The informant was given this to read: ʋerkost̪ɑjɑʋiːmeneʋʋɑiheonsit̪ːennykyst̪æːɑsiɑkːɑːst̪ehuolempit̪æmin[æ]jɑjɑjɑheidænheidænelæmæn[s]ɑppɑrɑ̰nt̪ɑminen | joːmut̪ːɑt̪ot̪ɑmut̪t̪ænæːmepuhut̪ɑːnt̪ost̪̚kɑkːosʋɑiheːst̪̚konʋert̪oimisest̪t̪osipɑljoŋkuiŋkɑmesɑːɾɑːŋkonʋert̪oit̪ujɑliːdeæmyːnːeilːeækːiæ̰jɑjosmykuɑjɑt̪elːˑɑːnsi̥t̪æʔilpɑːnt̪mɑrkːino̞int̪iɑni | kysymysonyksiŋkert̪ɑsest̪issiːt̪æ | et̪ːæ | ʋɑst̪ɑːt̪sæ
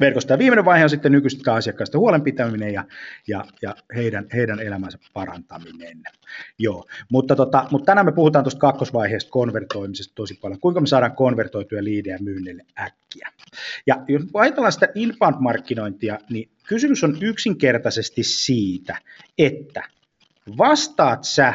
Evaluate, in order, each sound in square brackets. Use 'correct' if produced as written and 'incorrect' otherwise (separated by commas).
incorrect, correct